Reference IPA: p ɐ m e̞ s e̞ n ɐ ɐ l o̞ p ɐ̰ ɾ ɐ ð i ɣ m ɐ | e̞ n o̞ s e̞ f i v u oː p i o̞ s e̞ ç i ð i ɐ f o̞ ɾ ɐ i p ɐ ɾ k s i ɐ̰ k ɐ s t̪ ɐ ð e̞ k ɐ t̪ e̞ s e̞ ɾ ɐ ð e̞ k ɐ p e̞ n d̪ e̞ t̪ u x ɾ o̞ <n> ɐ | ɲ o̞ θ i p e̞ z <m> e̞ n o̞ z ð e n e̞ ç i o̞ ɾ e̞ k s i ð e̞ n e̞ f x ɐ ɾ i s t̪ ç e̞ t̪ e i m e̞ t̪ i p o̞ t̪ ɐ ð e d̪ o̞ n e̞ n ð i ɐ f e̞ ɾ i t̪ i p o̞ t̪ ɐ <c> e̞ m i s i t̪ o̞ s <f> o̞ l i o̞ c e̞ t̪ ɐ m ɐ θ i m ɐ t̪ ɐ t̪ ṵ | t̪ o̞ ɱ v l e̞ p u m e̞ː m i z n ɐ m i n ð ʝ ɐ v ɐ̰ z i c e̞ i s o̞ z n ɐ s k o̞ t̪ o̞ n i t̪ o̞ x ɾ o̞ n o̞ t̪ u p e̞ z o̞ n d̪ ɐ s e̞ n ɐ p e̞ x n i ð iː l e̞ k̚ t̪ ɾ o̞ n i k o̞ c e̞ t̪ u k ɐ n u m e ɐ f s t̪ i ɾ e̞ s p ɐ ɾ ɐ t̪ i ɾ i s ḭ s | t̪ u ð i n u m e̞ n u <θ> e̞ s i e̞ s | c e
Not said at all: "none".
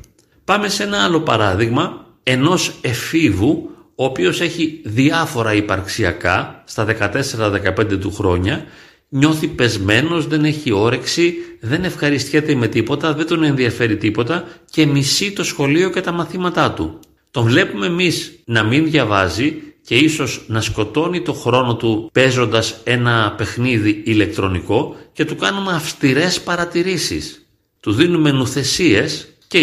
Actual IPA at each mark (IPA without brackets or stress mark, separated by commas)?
ɲ, m, c, x, θ